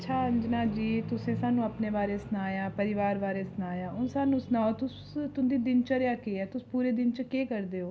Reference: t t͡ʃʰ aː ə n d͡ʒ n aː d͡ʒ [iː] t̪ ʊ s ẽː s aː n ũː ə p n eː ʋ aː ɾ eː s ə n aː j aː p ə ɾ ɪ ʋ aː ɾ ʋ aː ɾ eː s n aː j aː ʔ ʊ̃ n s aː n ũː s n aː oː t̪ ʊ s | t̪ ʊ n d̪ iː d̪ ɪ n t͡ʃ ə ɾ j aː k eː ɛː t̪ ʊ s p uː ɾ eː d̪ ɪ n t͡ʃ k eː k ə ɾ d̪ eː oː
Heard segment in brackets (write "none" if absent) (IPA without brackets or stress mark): iː